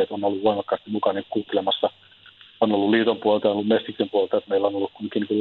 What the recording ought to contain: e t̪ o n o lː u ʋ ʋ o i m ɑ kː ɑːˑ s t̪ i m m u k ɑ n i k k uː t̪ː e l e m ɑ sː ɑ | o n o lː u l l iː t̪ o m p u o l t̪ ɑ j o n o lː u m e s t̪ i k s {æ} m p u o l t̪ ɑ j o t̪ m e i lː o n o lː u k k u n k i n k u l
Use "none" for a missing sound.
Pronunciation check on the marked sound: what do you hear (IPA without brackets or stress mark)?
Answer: e